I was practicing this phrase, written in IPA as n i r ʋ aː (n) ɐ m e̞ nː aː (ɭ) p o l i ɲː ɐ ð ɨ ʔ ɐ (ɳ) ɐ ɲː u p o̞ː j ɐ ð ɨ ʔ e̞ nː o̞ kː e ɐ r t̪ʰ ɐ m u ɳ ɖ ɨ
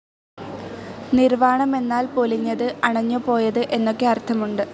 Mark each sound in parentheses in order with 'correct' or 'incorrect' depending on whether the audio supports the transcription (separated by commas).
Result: incorrect, incorrect, correct